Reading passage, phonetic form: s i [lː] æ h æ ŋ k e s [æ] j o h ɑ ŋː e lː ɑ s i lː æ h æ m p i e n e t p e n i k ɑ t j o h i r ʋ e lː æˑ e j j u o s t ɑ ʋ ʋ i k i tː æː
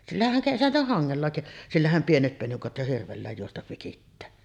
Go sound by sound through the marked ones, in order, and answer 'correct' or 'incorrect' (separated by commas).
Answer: correct, correct